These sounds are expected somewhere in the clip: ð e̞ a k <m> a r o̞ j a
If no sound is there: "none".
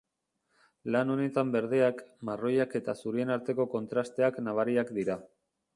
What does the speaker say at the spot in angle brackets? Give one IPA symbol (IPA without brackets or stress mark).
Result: m